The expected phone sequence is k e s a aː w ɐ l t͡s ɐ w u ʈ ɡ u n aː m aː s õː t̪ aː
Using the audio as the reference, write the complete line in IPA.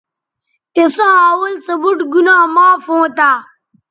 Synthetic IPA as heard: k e s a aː w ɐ l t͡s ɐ b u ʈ ɡ u n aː m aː f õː t̪ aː